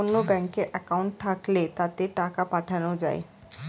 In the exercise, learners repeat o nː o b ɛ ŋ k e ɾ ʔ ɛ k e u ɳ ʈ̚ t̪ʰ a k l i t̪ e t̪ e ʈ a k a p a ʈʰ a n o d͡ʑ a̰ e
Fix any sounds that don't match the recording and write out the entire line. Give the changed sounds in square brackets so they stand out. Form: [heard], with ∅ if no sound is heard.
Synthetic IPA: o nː o b ɛ ŋ k e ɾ ʔ ɛ k [a] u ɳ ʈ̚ t̪ʰ a k l [e] t̪ [a] t̪ e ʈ a k a p a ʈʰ a n o d͡ʑ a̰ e